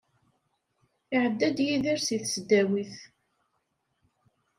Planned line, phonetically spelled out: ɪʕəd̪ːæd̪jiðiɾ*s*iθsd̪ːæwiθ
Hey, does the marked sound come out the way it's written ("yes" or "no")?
yes